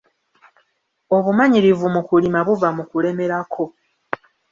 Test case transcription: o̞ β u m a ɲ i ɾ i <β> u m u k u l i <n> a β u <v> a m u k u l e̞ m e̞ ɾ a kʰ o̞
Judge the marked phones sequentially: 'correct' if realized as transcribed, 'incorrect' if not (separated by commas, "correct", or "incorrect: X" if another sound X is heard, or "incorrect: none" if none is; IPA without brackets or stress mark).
incorrect: v, incorrect: m, correct